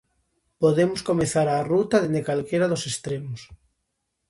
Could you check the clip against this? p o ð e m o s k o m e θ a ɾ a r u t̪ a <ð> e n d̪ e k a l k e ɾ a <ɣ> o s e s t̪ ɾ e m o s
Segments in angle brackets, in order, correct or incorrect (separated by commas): correct, incorrect